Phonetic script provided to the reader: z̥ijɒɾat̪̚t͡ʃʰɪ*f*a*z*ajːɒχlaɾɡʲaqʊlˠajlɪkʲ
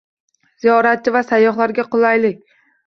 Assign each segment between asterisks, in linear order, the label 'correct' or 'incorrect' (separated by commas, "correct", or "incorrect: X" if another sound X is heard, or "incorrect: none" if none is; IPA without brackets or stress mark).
incorrect: v, incorrect: s